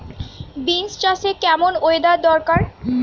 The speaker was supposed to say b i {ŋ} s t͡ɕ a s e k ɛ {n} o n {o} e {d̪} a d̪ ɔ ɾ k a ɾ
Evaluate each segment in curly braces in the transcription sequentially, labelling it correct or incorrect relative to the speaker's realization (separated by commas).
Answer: incorrect, incorrect, correct, correct